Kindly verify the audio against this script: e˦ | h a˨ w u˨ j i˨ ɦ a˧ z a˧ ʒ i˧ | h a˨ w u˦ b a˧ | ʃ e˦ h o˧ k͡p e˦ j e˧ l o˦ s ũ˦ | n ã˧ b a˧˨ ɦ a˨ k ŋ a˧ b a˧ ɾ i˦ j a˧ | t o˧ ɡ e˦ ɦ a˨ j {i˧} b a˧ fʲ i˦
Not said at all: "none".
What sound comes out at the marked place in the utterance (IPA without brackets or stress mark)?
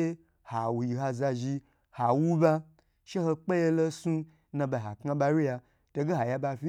a˧